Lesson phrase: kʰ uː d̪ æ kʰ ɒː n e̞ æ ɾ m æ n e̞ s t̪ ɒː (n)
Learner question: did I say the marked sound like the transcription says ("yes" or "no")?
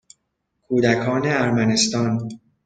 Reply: yes